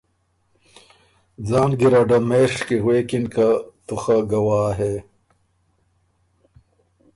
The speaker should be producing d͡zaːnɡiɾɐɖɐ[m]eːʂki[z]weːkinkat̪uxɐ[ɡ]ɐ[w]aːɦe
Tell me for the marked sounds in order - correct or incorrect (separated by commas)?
correct, incorrect, correct, correct